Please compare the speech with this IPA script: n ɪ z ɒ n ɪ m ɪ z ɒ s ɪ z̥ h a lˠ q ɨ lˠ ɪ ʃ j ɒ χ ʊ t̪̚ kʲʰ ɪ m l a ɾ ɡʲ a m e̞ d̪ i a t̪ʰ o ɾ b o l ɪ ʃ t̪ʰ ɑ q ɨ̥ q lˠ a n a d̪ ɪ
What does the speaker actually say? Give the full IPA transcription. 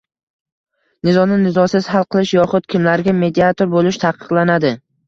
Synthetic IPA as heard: n ɪ z ɒ n ɪ n ɪ z ɒ s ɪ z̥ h a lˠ q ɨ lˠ ɪ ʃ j ɒ χ ʊ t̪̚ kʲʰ ɪ m l a ɾ ɡʲ a m e̞ d̪ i a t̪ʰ o ɾ b o l ɪ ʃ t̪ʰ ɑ q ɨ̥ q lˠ a n a d̪ ɪ